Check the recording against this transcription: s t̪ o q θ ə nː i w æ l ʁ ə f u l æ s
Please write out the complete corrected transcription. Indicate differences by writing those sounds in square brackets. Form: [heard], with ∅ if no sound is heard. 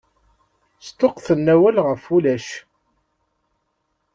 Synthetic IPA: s t̪ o q θ ə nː [æ] w æ l ʁ ə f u l æ [ʃ]